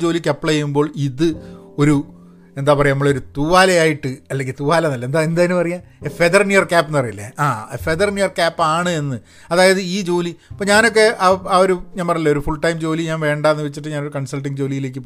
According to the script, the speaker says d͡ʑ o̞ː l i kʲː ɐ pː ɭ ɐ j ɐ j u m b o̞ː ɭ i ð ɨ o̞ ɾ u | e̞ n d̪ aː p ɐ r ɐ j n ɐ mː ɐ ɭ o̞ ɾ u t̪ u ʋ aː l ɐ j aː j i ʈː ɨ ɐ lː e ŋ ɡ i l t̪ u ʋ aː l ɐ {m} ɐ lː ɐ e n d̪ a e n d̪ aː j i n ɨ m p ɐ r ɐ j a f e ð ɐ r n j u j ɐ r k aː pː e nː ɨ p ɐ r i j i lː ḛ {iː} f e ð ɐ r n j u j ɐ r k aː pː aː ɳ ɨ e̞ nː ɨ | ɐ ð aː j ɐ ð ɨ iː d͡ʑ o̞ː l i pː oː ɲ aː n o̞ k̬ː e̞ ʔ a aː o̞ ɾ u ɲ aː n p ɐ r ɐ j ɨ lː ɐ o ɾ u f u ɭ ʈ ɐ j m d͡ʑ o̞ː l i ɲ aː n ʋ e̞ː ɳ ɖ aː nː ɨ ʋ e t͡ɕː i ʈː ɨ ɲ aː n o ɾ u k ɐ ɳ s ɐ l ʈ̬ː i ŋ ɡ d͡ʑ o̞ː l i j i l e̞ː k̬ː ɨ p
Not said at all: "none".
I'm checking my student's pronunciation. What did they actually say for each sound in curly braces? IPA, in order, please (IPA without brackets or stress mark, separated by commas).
n, aː